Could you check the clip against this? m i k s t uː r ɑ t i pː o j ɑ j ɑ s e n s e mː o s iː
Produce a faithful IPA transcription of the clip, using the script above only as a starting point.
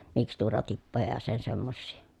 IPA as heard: m i k s t uː r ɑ t i pː o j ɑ j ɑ s e n s e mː o sː iː